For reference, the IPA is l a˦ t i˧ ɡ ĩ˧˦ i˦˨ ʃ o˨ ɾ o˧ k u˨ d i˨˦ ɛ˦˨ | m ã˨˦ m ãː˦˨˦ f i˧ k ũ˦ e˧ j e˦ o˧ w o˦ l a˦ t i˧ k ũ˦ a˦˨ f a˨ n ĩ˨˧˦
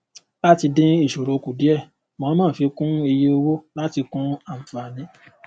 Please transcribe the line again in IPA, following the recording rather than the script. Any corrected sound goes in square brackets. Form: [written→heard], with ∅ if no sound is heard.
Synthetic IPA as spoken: l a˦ t i˧ [ɡ→d] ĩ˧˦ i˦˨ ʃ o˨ ɾ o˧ k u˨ d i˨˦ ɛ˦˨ | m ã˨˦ m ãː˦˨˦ f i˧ k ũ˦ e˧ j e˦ o˧ w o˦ l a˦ t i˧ k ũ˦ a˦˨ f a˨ n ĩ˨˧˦